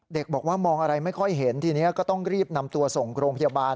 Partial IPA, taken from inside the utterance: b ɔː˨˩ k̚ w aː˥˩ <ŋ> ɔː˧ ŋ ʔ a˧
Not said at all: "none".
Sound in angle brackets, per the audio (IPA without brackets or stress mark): m